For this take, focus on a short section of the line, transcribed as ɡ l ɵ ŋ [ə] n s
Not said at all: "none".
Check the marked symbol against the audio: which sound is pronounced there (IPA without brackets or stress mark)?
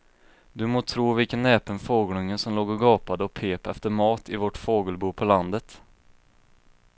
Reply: ə